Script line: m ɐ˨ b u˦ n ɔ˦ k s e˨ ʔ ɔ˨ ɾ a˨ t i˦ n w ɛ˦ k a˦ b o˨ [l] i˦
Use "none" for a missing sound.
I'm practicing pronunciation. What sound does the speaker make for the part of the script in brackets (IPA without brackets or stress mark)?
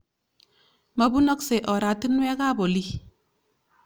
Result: l